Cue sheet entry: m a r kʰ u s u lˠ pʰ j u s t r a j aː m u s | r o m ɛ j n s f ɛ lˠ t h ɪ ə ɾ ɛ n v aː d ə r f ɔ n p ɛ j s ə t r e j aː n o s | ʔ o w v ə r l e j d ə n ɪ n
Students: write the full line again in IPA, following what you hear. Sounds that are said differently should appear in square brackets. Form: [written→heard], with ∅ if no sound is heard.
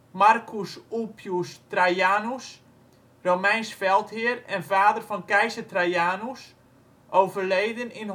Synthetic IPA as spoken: m a r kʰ u s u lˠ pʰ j u s t r a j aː [m→n] u s | r o m ɛ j n s f ɛ lˠ t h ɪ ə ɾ ɛ n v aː d ə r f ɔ n [p→k] ɛ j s ə t r [e→a] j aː n [o→u] s | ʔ o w v ə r l e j d ə n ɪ n